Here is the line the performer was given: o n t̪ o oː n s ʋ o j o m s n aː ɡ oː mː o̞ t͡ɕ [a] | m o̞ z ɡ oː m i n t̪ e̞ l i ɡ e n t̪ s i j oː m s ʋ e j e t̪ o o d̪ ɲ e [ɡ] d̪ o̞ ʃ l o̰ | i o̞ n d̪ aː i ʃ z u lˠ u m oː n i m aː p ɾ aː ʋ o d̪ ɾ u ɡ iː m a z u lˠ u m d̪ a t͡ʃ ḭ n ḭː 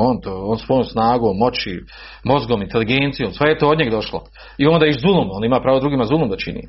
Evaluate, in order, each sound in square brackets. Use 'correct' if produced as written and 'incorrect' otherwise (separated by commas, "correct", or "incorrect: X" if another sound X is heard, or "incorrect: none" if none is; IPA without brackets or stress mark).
incorrect: i, correct